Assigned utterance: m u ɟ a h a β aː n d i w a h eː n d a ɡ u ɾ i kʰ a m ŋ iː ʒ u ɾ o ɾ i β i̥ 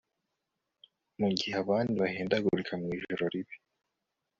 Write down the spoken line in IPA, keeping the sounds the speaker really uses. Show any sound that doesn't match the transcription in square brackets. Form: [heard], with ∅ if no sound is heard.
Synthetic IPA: m u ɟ [i] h a β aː n d i [β] a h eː n d a ɡ u ɾ i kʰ a m ŋ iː ʒ [o] ɾ o ɾ i β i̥

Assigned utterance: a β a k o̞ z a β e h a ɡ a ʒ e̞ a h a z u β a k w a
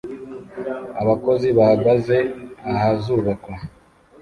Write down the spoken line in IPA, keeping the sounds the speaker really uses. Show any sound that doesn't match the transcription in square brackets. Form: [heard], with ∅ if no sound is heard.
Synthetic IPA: a β a k o̞ z [i] β [a] h a ɡ a [z] e̞ a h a z u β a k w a

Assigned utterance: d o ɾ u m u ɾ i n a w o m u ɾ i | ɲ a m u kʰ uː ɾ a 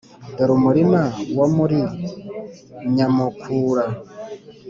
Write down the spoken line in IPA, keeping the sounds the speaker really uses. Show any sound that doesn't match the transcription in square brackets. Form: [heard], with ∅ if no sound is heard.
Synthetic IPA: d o ɾ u m u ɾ i [m] a w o m u ɾ i | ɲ a m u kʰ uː ɾ a

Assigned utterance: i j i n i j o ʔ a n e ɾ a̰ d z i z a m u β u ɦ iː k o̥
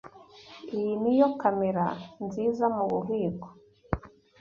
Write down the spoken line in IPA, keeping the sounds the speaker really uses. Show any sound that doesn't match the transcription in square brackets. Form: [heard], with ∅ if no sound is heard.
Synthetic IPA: i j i n i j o [k] a [m] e ɾ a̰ [n] z i z a m u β u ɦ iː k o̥

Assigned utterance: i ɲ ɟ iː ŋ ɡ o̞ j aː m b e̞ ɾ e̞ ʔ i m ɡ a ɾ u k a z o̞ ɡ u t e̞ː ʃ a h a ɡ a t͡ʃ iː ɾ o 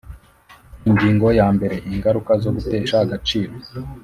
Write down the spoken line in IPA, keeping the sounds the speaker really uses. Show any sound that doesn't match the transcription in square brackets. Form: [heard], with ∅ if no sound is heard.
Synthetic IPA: i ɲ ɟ iː ŋ ɡ o̞ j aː m b e̞ ɾ e̞ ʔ i [ŋ] ɡ a ɾ u k a z o̞ ɡ u t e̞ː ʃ a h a ɡ a t͡ʃ iː ɾ o

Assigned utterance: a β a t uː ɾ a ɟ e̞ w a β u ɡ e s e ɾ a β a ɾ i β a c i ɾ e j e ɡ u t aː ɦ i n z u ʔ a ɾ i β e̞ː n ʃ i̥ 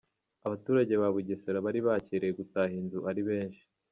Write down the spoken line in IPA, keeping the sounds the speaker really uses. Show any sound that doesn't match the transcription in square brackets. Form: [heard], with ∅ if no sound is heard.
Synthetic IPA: a β a t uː ɾ a ɟ e̞ [β] a β u [ɟ] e s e ɾ a β a ɾ i β a c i ɾ e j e ɡ u t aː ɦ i n z u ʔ a ɾ i β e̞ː n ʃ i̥

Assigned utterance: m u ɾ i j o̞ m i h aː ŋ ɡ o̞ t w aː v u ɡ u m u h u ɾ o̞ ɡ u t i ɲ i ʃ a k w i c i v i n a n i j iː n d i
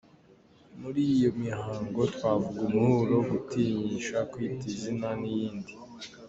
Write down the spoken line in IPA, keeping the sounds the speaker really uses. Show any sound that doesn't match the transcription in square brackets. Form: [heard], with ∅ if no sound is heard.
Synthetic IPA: m u ɾ i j o̞ m i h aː ŋ ɡ o̞ t w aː v u ɡ u m u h u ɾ o̞ ɡ u t i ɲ i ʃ a k w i [t] i [z] i n a n i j iː n d i

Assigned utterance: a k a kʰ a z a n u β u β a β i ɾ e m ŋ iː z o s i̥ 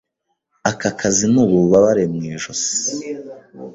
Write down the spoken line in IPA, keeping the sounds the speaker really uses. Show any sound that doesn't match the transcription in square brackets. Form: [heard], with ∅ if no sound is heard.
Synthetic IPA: a k a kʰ a z [i] n u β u β a β [a] ɾ e m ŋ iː [ʒ] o s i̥

